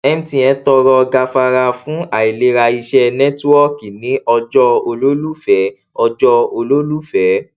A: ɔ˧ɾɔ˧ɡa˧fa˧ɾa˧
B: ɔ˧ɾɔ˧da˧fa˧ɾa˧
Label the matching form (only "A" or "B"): A